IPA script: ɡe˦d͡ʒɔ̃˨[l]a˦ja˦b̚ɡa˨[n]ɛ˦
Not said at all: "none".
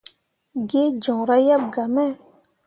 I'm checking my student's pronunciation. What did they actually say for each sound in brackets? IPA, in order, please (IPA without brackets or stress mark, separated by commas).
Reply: ɾ, m